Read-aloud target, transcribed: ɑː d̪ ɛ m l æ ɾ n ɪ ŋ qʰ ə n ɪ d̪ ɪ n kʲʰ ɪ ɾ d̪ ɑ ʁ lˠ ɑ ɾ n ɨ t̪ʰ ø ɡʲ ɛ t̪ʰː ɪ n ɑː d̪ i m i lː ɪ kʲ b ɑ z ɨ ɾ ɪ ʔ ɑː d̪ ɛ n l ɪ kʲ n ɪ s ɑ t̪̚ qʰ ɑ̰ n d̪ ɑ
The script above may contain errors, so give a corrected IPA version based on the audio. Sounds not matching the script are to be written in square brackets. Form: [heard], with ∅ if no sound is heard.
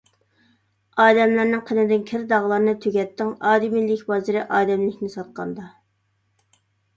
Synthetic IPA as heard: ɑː d̪ ɛ m l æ ɾ n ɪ ŋ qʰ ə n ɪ d̪ ɪ n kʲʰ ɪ ɾ d̪ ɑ ʁ lˠ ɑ ɾ n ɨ t̪ʰ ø ɡʲ ɛ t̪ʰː ɪ [ŋ] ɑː d̪ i m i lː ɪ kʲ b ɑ z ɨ ɾ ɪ ʔ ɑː d̪ ɛ [m] l ɪ kʲ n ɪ s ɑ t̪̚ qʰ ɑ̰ n d̪ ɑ

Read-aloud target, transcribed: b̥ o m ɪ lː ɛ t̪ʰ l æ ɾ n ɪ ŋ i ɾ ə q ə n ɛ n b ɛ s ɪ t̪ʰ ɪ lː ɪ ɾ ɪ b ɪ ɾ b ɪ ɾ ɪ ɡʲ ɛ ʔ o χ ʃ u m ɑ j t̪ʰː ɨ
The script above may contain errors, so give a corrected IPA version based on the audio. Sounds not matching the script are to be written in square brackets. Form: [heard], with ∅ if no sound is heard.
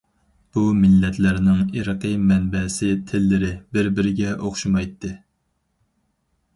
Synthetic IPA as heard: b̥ [u] m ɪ lː ɛ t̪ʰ l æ ɾ n ɪ ŋ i ɾ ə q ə [m] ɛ n b ɛ s ɪ t̪ʰ ɪ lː ɪ ɾ ɪ b ɪ ɾ b ɪ ɾ ɪ ɡʲ ɛ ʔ o χ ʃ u m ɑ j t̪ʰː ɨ

